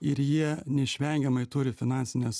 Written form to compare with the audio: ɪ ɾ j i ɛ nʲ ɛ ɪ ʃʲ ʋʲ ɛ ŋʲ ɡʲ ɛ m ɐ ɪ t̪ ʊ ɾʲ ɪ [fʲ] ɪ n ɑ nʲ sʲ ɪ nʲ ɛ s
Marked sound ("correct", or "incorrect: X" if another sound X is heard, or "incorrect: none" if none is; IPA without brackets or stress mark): correct